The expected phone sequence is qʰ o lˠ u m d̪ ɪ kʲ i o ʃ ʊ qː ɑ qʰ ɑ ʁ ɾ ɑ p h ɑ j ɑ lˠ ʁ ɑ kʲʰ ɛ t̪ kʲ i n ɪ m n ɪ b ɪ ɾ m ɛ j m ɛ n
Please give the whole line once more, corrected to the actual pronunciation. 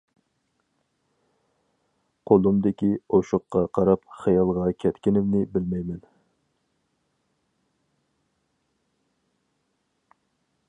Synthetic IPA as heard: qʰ o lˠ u m d̪ ɪ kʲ i o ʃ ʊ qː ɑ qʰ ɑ ɾ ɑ p χ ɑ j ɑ lˠ ʁ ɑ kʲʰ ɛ t̪ kʲ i n ɪ m n ɪ b ɪ l m ɛ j m ɛ n